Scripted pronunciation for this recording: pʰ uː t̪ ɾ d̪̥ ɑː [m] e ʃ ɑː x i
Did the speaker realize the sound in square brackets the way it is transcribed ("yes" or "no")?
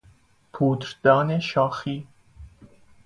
no